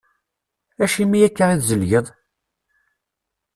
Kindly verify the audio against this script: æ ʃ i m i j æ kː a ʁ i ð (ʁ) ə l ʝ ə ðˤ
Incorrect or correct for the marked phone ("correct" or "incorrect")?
incorrect